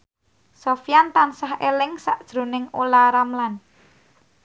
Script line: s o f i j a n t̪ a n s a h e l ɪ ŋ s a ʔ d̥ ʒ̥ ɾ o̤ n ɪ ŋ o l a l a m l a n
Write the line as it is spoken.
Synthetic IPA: s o f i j a n t̪ a n s a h e l ɪ ŋ s a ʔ d̥ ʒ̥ ɾ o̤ n ɪ ŋ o l a ɾ a m l a n

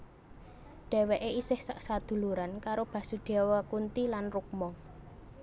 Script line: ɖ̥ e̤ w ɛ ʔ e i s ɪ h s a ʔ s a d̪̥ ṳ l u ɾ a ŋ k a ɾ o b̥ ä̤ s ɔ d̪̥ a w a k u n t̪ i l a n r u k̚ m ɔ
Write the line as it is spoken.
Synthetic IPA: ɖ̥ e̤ w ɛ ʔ e i s ɪ h s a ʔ s a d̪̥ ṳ l u ɾ a n k a ɾ o b̥ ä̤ s u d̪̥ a w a k u n t̪ i l a n r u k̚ m ɔ

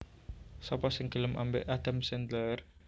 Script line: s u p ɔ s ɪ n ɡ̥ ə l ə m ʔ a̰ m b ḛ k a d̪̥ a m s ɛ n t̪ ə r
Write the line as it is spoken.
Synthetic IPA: s ɔ p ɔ s ɪ ŋ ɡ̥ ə l ə m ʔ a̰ m b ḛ ʔ a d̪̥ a m s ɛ n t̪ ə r

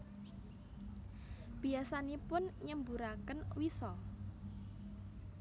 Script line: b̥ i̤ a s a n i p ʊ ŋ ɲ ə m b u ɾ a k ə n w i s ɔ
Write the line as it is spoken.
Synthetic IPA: b̥ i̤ a s a n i p ʊ n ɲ ə m b u ɾ a k ə n w i s ɔ

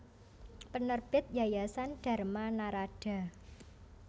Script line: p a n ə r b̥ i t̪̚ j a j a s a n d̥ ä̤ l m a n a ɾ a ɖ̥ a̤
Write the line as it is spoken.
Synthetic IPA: p ə n ə r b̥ ɪ t̪̚ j a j a s a n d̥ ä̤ r m a n a ɾ a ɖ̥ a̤

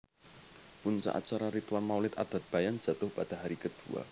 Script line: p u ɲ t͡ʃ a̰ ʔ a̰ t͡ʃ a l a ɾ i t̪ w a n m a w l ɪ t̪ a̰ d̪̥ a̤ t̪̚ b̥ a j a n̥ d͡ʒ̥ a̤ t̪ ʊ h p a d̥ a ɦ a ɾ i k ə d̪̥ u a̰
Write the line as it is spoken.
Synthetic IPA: p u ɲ t͡ʃ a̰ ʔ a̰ t͡ʃ a ɾ a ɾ i t̪ w a n m a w l ɪ t̪ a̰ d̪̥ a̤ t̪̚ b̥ a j a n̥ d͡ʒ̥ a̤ t̪ ʊ h p a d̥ a ɦ a ɾ i k ə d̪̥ u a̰

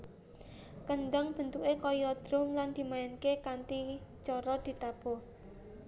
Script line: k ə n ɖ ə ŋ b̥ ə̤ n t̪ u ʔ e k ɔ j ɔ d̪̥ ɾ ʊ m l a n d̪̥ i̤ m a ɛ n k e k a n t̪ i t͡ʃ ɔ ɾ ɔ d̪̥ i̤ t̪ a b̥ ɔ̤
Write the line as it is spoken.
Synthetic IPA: k ə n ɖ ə ŋ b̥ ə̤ n t̪ u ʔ e k ɔ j ɔ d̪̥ ɾ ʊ m l a n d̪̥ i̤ m a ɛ n k e k a n t̪ i t͡ʃ ɔ ɾ ɔ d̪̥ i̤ t̪ a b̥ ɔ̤

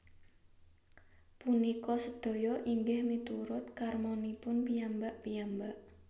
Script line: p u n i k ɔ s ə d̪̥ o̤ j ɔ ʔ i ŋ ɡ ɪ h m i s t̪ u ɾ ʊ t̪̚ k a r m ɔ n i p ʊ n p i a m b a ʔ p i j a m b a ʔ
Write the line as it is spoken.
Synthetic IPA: p u n i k ɔ s ə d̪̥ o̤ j ɔ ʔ i ŋ ɡ ɪ h m i t̪ u ɾ ʊ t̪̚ k a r m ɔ n i p ʊ n p i a m b a ʔ p i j a m b a ʔ

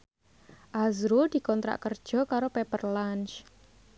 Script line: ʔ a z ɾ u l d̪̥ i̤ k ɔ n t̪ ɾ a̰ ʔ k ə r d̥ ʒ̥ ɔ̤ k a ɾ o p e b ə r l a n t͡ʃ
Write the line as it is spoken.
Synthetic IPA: ʔ a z ɾ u l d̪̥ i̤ k ɔ n t̪ ɾ a̰ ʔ k ə r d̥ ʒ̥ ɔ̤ k a ɾ o p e p ə r l a n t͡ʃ

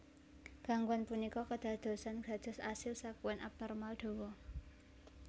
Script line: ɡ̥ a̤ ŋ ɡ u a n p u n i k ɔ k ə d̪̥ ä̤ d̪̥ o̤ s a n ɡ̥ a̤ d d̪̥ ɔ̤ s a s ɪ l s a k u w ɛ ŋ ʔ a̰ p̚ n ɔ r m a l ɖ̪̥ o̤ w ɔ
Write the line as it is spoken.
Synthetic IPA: ɡ̥ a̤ ŋ ɡ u a n p u n i k ɔ k ə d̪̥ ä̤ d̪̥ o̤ s a n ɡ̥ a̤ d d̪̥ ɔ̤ s a s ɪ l s a k u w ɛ n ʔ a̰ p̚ n ɔ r m a l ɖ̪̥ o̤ w ɔ

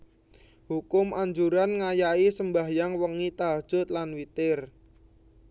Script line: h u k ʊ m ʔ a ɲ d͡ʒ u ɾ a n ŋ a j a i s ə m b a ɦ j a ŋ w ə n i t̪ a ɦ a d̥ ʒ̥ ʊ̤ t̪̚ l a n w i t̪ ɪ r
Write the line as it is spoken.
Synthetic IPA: h u k ʊ m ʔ a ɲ d͡ʒ u ɾ a n ŋ a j a i s ə m b a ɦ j a ŋ w ə ŋ i t̪ a ɦ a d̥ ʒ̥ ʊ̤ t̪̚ l a n w i t̪ ɪ r

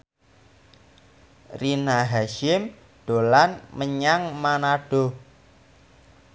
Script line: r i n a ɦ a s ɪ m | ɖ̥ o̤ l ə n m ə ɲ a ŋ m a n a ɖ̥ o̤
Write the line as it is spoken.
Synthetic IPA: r i n a ɦ a ʃ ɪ m | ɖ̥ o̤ l a n m ə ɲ a ŋ m a n a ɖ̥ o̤

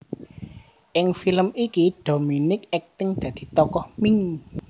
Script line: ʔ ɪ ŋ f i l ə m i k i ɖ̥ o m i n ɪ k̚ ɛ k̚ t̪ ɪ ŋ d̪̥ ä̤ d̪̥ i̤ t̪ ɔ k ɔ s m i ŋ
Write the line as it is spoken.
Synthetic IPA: ʔ ɪ ŋ f i l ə m i k i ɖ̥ o m i n ɪ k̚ ɛ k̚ t̪ ɪ ŋ d̪̥ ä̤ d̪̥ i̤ t̪ ɔ k ɔ h m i ŋ

